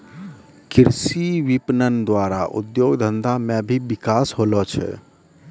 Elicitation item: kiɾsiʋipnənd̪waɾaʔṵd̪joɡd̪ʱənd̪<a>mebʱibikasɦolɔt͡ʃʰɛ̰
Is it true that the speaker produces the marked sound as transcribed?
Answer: yes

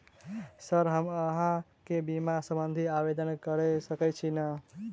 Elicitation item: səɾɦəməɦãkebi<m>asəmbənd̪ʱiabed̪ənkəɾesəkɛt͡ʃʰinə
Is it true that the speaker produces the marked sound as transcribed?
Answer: yes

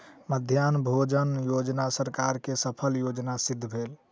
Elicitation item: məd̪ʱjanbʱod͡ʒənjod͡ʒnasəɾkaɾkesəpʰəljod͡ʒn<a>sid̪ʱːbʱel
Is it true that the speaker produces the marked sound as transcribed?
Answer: yes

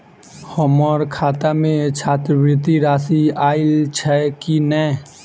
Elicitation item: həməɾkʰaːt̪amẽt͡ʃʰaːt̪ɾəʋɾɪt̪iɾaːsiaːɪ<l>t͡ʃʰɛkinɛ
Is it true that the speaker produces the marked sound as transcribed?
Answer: yes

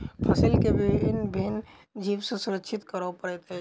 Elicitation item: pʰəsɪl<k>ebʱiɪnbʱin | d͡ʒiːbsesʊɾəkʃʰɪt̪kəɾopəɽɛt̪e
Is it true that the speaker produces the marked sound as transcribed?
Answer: yes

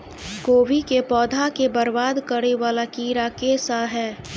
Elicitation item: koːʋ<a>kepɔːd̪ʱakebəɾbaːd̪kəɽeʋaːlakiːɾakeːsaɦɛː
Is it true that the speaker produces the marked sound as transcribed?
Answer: no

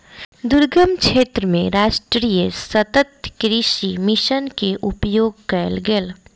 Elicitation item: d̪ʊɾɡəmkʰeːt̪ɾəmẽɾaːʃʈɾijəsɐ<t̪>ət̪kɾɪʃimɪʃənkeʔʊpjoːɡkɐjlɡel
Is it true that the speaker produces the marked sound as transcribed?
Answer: yes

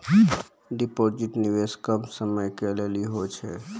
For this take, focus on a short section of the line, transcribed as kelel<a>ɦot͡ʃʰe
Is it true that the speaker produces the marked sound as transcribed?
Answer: no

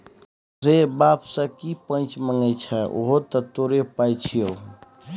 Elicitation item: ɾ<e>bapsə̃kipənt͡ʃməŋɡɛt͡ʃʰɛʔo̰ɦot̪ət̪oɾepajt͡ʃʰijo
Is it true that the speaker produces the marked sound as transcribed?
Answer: yes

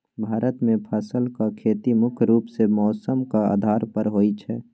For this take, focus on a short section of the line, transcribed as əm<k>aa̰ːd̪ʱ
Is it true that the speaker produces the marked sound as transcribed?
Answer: yes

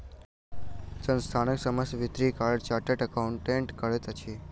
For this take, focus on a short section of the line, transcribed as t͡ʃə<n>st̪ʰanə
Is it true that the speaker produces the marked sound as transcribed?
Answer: yes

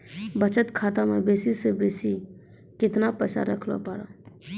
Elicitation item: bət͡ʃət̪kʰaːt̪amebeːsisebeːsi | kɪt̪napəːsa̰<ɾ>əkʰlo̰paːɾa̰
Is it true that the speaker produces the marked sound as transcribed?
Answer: yes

